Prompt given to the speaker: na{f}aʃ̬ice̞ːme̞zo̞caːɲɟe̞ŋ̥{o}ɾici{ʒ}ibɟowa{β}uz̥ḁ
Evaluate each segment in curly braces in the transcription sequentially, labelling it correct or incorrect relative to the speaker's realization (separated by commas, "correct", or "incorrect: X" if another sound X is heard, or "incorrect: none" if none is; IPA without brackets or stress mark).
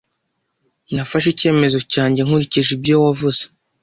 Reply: correct, incorrect: u, correct, incorrect: v